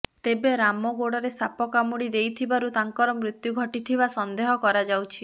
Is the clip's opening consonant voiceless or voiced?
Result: voiceless